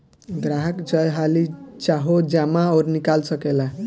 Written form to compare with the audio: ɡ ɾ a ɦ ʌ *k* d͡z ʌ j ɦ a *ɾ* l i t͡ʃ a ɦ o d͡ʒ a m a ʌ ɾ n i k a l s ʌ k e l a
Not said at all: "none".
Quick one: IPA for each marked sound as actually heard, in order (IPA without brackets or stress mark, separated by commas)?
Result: k, none